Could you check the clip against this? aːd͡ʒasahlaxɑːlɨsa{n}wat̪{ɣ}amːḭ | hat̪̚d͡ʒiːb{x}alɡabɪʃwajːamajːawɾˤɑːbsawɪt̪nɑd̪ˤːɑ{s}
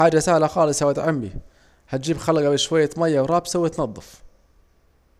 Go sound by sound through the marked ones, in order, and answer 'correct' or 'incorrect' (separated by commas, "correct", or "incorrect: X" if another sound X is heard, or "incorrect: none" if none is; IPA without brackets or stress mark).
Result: incorrect: none, incorrect: ʕ, correct, incorrect: f